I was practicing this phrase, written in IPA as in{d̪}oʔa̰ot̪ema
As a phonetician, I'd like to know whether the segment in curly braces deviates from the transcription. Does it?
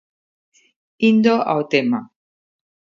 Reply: no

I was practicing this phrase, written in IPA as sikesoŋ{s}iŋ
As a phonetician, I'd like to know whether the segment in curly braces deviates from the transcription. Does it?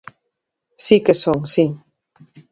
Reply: no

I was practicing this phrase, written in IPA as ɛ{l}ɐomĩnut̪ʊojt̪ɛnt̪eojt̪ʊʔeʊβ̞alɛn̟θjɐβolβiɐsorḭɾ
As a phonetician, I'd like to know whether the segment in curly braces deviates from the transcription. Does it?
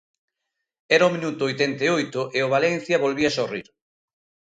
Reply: yes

